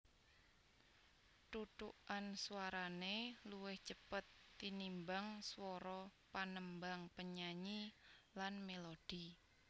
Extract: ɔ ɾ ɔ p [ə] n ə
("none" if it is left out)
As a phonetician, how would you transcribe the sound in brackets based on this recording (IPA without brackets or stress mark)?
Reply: a